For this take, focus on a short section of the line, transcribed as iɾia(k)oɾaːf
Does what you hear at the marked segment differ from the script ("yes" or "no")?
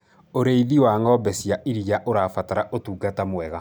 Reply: yes